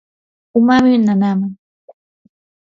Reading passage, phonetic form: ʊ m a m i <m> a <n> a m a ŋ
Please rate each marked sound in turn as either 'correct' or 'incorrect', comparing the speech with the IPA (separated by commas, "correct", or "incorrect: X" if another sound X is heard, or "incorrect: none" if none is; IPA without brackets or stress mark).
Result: incorrect: n, correct